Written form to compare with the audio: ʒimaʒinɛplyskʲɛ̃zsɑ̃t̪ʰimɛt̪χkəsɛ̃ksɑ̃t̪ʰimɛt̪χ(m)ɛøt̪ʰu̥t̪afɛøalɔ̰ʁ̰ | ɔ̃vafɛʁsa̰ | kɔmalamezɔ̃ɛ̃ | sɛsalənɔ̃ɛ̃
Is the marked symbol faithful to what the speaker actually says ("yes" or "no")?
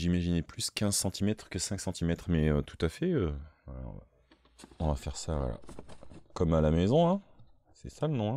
yes